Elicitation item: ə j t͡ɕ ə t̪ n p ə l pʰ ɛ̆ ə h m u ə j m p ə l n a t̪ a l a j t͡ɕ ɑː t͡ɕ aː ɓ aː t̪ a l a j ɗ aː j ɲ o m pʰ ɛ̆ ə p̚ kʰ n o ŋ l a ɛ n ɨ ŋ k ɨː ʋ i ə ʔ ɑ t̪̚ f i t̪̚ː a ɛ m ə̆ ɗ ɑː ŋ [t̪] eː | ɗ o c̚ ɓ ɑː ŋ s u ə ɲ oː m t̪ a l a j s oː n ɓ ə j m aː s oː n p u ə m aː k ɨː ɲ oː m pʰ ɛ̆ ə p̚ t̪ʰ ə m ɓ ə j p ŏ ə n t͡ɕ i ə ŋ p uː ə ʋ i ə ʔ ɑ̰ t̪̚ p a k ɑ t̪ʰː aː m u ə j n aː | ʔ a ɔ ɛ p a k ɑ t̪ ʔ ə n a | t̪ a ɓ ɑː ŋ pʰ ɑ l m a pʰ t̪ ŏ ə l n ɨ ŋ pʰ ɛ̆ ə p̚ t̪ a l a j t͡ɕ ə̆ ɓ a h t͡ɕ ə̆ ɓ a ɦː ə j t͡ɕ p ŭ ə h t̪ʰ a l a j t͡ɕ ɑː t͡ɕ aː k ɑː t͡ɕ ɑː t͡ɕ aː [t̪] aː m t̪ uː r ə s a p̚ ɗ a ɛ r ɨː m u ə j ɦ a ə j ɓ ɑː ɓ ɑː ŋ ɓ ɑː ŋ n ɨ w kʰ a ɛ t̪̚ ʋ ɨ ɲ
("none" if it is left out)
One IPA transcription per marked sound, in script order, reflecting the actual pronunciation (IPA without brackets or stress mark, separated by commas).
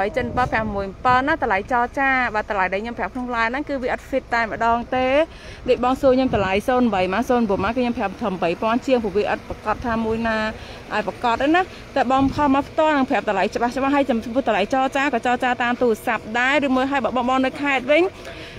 t̪, t̪